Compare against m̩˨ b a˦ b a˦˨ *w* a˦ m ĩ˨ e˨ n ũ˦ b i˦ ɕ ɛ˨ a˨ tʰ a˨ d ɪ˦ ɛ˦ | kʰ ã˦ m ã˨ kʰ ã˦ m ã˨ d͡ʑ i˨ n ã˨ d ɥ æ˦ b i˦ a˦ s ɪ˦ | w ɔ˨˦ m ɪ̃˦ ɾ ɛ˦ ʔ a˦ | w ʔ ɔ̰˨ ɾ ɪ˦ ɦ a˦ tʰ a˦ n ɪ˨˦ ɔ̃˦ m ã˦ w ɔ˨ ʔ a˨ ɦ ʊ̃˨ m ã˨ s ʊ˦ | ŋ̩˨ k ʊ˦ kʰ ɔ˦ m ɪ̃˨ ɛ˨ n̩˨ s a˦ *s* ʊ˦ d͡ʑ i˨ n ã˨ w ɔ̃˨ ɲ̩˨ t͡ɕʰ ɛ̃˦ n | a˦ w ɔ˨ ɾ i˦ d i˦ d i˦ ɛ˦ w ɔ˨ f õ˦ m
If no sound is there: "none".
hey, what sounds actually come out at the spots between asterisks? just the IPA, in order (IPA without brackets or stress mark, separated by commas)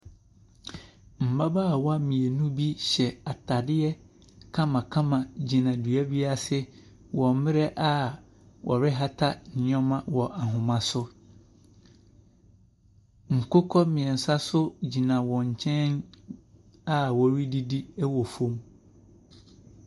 w, s